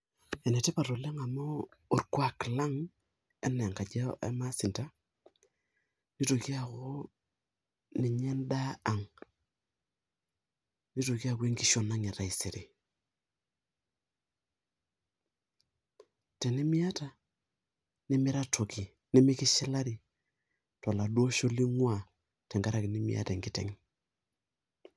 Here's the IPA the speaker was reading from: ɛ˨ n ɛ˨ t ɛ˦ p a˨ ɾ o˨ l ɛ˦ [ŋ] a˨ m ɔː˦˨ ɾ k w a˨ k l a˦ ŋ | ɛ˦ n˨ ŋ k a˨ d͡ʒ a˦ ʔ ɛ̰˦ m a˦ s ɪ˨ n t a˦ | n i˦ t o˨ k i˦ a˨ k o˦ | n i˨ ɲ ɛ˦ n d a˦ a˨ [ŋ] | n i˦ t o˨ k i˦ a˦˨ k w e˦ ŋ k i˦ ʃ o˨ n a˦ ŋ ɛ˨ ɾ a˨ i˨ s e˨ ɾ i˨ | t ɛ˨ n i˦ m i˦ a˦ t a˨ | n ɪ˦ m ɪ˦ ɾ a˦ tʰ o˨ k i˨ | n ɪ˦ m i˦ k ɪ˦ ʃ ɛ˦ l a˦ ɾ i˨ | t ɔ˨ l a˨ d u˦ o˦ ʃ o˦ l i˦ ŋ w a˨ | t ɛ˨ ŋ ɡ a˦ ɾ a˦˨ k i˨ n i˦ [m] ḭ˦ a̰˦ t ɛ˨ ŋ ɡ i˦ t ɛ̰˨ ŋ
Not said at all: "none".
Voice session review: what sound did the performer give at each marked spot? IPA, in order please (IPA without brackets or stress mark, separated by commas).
ŋ, ŋ, m